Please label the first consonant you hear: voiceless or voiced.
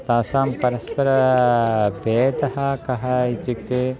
voiceless